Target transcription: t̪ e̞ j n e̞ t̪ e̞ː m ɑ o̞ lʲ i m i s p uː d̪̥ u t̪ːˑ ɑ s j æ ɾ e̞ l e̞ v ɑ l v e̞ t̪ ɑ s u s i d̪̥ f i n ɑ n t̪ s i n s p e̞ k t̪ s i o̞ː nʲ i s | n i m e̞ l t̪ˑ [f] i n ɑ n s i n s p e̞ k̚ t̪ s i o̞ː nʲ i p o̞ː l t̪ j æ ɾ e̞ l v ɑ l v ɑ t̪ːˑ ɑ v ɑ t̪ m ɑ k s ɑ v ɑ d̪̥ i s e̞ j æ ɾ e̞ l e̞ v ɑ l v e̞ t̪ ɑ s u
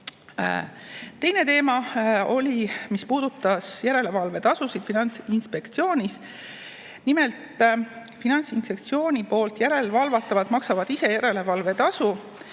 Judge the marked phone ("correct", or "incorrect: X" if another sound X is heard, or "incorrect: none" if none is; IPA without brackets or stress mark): correct